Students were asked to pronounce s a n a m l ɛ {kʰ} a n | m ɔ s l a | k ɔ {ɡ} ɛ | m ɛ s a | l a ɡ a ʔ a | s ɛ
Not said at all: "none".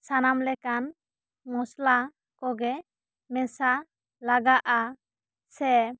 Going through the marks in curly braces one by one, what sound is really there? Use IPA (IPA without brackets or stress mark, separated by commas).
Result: k, ɡ